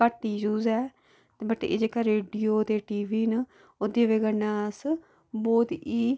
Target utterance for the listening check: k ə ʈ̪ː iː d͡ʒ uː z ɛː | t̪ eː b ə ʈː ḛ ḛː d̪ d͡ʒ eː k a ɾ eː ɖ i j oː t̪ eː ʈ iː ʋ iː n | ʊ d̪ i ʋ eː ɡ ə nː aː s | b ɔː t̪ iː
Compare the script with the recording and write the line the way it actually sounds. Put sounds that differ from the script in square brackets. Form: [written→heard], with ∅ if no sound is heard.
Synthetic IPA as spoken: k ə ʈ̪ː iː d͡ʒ uː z ɛː | t̪ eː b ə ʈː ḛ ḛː [d̪→∅] d͡ʒ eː k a ɾ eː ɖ i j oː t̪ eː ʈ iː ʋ iː n | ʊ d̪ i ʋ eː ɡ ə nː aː s | b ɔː t̪ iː

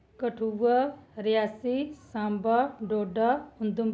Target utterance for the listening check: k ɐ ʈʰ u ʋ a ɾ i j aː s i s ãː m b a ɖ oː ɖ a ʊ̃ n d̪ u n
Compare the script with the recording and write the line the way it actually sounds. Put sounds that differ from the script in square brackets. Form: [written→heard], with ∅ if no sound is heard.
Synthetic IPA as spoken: k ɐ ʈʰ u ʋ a ɾ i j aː s i s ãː m b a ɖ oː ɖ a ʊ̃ n d̪ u [n→m]

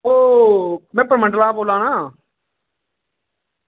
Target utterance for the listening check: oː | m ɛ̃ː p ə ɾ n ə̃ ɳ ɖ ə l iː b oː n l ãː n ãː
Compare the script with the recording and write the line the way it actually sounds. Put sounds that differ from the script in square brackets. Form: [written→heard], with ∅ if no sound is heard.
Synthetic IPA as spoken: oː | m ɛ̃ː p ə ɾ [n→m] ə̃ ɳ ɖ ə l [iː→aː] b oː [n→∅] l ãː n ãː

